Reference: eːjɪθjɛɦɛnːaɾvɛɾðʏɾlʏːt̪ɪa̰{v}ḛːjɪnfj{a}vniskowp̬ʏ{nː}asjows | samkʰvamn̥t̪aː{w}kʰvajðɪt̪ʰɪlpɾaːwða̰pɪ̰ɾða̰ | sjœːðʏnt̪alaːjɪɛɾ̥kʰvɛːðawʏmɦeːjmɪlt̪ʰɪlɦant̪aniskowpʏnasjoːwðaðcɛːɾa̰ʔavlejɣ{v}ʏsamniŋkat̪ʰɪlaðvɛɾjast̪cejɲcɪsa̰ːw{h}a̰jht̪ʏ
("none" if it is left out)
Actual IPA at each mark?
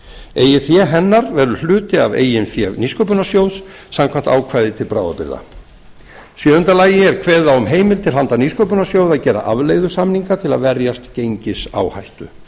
v, ɛ, n, w, ð, h

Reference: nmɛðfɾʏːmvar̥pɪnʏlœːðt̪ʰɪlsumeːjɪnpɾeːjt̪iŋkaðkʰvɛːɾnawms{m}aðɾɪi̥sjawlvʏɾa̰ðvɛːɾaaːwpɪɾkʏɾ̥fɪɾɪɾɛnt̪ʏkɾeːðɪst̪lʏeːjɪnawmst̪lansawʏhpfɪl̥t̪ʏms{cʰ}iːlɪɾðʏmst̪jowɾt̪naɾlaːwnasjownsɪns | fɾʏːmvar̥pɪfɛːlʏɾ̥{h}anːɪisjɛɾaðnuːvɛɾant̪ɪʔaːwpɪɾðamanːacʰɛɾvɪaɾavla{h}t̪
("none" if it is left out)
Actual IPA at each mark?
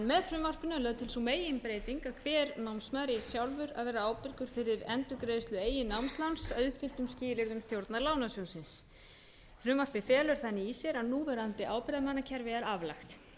m, c, θ, x

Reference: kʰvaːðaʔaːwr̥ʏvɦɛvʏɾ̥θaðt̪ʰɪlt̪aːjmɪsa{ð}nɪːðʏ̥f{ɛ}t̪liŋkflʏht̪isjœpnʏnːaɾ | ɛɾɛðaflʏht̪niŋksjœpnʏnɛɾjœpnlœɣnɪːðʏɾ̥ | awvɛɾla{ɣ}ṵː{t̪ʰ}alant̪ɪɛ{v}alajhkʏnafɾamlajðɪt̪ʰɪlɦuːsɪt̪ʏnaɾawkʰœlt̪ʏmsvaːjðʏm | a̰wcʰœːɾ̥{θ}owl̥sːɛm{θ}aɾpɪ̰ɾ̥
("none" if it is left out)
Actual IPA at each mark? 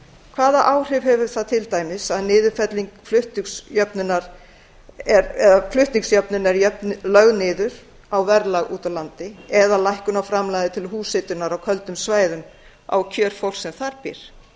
ð, ɛ, ɣ, t̪, ð, f, θ

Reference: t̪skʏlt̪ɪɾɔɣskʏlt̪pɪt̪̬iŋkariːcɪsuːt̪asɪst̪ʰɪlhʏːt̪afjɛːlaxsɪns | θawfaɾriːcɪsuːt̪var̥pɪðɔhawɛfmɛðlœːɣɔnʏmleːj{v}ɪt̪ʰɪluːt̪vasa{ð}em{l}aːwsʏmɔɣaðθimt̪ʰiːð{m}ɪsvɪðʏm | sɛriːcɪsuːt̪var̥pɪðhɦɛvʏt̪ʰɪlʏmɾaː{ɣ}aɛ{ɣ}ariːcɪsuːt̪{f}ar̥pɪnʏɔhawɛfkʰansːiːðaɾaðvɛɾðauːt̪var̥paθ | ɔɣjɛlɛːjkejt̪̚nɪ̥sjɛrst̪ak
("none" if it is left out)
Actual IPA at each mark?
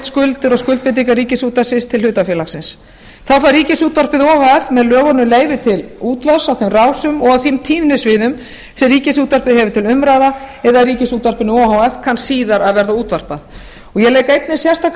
v, θ, r, n, ð, ð, v

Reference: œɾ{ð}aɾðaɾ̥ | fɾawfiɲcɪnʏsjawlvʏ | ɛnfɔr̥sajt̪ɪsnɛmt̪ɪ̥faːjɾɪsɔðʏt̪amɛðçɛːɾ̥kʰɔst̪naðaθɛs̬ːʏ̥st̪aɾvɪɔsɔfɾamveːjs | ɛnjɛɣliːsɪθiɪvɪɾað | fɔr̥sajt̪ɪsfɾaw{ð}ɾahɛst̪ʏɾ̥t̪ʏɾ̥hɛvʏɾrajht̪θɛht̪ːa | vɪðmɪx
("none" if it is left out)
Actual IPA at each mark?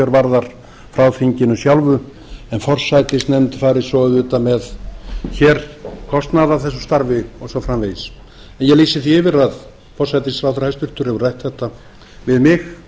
v, θ

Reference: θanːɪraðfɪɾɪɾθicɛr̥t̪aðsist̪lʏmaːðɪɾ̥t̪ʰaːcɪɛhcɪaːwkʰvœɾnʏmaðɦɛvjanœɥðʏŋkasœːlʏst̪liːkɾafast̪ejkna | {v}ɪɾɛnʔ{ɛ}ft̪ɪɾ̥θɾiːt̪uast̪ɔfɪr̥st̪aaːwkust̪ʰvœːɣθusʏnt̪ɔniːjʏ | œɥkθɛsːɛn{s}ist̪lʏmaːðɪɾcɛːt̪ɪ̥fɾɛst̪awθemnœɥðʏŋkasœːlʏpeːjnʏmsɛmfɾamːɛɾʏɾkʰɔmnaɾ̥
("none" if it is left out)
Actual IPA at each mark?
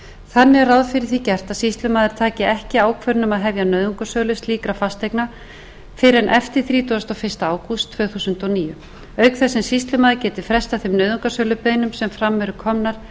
f, ɛ, s

